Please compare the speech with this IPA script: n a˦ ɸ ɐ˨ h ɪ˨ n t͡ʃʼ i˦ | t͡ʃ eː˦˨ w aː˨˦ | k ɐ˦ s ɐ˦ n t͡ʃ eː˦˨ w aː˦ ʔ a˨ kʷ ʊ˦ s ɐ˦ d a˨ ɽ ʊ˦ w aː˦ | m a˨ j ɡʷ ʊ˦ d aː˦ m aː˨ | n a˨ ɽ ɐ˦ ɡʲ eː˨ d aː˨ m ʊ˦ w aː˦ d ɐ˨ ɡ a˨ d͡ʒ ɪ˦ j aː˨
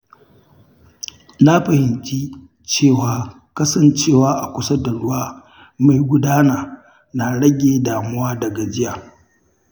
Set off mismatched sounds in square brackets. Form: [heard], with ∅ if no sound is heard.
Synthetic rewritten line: n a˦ ɸ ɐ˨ h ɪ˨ n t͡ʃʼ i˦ | t͡ʃ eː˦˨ w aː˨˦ | k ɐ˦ s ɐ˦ n t͡ʃ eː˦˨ w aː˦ ʔ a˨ kʷ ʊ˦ s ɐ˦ d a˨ ɽ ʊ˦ w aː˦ | m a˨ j ɡʷ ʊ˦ d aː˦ [n] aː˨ | n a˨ ɽ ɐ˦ ɡʲ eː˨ d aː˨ m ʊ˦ w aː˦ d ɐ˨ ɡ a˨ d͡ʒ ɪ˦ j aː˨